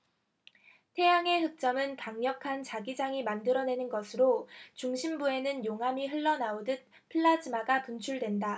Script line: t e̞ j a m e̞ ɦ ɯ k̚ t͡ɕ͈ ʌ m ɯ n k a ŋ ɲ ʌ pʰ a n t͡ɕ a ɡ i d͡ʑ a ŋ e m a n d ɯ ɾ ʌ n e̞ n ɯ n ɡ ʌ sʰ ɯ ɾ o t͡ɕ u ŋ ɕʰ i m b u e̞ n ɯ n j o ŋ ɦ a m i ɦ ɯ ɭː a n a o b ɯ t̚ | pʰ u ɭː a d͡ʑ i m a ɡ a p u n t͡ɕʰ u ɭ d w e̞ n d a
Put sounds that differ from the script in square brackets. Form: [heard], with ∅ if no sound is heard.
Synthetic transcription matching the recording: [tʰ] e̞ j a [ŋ] e̞ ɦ ɯ k̚ t͡ɕ͈ ʌ m ɯ n k a ŋ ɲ ʌ [kʰ] a n t͡ɕ a ɡ i d͡ʑ a ŋ [i] m a n d ɯ ɾ ʌ n e̞ n ɯ n ɡ ʌ sʰ ɯ ɾ o t͡ɕ u ŋ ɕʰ i m b u e̞ n ɯ n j o ŋ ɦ a m i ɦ ɯ ɭː [ʌ] n a o [d] ɯ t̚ | pʰ [ɯ] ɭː a d͡ʑ i m a ɡ a p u n t͡ɕʰ u ɭ d w e̞ n d a